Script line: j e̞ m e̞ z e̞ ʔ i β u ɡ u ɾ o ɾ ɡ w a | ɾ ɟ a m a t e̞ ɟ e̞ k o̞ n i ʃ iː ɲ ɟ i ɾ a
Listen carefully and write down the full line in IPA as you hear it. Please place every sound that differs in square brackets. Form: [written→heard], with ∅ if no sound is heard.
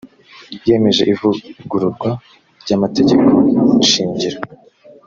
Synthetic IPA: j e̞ m e̞ [z→ʒ] e̞ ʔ i [β→v] u ɡ u ɾ [o→u] ɾ ɡ w a | ɾ ɟ a m a t e̞ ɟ e̞ k o̞ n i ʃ iː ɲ ɟ i ɾ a